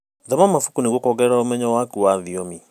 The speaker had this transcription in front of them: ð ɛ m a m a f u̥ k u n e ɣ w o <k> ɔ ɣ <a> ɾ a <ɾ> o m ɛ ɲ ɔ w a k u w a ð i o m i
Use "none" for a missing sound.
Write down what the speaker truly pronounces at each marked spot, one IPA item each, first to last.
k, ɛ, none

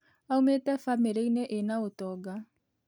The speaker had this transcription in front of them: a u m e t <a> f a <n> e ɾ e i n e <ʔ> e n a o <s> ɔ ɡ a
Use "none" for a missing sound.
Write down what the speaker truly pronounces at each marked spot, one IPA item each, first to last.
ɛ, m, ʔ, t

